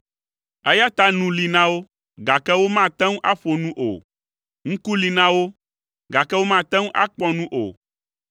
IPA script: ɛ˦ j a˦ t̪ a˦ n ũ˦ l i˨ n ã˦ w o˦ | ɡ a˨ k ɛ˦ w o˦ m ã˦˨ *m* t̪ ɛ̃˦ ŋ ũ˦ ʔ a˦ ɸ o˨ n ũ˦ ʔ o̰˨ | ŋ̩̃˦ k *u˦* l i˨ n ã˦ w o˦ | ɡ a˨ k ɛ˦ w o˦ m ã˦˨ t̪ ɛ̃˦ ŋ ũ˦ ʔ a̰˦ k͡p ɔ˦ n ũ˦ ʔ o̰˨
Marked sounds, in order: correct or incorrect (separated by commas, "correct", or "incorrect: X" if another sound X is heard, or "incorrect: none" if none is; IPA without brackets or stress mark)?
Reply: incorrect: none, correct